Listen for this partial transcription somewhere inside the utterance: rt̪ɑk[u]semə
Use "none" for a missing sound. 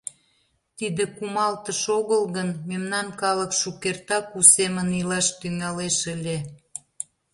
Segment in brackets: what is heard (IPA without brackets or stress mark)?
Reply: u